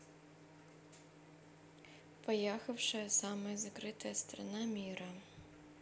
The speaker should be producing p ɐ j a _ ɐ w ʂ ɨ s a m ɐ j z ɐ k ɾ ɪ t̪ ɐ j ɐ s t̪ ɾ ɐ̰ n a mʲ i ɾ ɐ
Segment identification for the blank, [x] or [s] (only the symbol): x